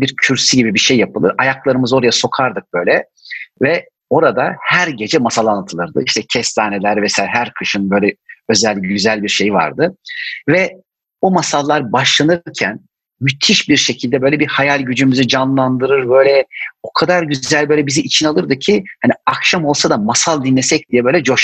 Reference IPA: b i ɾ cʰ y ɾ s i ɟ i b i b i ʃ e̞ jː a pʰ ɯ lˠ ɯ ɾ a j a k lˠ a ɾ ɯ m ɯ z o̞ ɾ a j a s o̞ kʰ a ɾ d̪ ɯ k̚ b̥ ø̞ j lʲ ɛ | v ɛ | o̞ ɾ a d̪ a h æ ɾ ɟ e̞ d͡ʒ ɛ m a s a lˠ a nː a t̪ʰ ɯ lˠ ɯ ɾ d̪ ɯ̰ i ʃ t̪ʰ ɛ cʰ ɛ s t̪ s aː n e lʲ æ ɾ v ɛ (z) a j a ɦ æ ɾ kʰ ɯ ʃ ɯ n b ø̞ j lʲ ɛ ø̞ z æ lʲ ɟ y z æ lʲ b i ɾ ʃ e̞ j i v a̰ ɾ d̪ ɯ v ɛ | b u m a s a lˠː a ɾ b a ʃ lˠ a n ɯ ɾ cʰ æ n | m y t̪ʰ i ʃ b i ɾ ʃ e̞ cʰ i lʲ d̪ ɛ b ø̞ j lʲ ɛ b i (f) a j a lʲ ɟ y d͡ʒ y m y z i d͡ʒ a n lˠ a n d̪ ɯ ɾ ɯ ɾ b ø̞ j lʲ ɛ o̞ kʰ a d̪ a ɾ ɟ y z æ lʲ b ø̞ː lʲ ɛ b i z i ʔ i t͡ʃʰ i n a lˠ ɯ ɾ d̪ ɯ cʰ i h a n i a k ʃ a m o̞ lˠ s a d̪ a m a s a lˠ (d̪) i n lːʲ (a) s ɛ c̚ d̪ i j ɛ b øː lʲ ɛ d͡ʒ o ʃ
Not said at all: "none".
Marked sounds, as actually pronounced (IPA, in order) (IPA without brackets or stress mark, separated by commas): s, h, d̪, e